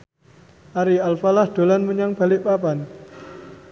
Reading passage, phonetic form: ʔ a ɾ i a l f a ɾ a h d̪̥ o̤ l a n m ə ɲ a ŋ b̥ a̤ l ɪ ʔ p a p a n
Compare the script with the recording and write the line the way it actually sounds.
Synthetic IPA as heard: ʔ a ɾ i a l f a l a h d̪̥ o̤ l a n m ə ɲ a ŋ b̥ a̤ l ɪ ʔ p a p a n